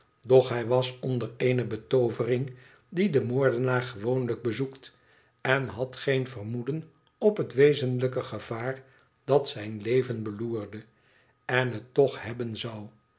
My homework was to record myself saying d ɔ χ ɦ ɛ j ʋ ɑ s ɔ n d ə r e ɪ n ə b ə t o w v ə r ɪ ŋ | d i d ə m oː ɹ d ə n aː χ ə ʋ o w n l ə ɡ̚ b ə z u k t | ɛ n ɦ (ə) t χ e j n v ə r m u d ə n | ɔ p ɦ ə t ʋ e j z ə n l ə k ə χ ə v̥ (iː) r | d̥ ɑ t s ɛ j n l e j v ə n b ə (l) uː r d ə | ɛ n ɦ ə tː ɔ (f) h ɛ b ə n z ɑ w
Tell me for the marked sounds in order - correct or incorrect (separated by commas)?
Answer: incorrect, incorrect, correct, incorrect